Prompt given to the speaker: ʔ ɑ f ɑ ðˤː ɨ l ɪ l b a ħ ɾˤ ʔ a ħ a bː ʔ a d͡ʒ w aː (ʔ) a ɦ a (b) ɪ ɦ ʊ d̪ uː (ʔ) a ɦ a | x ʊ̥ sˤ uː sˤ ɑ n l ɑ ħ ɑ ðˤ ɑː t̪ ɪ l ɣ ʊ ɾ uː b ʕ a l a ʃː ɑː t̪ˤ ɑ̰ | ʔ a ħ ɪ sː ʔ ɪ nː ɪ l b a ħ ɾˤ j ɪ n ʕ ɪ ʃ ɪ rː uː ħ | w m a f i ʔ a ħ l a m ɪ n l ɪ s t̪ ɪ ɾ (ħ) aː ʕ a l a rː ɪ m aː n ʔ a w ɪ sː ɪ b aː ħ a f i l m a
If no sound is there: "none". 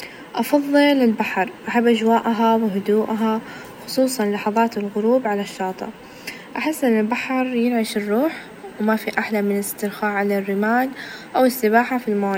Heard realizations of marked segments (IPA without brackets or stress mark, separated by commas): ʔ, w, ʔ, x